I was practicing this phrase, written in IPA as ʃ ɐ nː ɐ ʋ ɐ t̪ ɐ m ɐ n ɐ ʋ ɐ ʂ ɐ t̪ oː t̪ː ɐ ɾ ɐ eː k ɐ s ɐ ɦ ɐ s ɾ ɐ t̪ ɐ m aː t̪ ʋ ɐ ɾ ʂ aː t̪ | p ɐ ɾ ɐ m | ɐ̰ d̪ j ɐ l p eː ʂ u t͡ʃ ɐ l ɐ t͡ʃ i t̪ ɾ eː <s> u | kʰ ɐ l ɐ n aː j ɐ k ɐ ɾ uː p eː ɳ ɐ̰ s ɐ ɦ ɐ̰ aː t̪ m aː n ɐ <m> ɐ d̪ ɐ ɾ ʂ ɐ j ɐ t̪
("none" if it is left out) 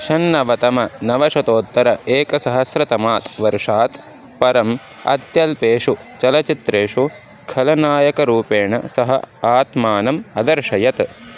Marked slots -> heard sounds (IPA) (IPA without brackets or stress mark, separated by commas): ʂ, m